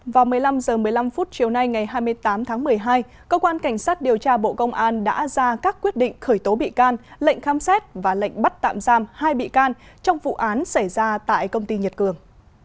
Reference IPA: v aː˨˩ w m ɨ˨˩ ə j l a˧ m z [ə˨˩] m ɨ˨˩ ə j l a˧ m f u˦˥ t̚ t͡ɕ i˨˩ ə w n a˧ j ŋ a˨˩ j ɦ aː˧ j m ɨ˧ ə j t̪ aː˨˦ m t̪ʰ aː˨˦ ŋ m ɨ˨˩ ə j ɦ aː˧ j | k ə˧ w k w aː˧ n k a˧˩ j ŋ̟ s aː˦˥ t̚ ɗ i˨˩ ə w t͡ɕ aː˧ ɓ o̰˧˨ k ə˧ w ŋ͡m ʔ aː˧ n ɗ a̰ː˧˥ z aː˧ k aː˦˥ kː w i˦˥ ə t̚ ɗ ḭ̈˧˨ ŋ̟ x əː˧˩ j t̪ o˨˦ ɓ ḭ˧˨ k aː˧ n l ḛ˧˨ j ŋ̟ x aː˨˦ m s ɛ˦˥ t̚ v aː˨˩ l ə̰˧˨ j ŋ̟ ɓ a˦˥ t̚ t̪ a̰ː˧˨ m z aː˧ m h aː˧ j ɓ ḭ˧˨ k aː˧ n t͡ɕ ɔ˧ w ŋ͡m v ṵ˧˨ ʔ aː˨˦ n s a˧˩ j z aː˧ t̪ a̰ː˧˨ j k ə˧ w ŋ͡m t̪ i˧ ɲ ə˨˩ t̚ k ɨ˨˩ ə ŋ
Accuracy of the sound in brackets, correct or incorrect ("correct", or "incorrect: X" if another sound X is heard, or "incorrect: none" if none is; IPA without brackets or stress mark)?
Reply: incorrect: əː˨˩